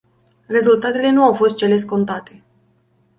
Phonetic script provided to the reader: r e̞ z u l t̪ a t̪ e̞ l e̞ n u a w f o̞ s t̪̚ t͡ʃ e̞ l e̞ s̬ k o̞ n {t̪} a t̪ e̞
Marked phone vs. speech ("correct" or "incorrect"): correct